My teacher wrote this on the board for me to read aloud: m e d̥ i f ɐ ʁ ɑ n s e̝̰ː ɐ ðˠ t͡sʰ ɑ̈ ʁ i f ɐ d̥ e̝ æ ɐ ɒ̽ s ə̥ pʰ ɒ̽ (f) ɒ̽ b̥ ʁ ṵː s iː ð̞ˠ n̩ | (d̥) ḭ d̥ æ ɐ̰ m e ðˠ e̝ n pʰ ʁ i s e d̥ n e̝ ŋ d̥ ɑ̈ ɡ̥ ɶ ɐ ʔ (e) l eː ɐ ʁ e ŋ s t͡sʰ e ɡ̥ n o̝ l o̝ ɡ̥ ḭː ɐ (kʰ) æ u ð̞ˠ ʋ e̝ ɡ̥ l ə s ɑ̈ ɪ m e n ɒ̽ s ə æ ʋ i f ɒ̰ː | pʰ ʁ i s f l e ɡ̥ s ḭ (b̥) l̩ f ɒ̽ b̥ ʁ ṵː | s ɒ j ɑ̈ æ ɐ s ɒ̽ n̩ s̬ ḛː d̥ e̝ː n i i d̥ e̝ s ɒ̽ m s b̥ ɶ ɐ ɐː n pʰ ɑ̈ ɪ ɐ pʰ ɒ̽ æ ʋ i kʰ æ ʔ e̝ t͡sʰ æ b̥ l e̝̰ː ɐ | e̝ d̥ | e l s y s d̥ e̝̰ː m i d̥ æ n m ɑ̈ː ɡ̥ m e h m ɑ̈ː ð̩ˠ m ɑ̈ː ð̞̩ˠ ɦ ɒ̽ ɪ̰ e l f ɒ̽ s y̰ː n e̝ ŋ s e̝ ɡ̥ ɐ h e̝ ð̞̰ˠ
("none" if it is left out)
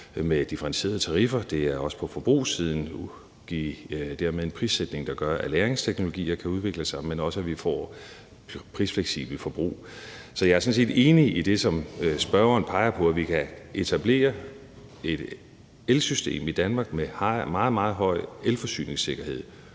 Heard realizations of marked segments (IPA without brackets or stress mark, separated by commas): f, ɡ̥, æ, kʰ, b̥